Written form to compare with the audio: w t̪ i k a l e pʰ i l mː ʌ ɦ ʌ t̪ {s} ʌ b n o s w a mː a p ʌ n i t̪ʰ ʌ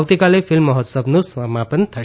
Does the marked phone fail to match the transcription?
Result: no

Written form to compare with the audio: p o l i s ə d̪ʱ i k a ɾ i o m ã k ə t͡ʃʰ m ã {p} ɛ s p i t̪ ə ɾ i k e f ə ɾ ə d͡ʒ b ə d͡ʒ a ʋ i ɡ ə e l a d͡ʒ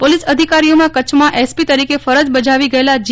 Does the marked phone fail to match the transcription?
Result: yes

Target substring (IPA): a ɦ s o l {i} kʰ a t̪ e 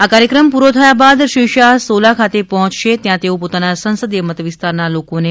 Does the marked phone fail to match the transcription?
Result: yes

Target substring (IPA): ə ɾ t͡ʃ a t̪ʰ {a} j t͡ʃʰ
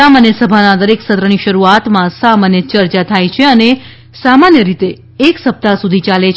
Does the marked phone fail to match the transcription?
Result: no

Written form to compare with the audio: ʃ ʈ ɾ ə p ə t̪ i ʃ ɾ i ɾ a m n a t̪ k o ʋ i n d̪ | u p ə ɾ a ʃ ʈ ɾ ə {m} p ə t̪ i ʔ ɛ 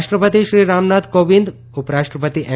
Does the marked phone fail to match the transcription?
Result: yes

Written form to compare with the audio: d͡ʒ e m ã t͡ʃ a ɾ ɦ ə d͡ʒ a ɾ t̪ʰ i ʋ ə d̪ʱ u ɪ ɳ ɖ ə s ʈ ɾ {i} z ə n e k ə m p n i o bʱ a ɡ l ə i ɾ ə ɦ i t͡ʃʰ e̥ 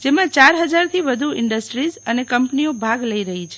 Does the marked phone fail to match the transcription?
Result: no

